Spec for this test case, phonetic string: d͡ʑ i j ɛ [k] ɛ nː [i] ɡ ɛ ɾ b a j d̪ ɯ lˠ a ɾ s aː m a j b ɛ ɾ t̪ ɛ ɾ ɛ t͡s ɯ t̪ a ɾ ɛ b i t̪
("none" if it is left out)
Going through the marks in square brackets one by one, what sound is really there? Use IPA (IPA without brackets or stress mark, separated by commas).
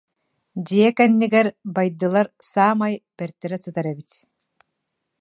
k, i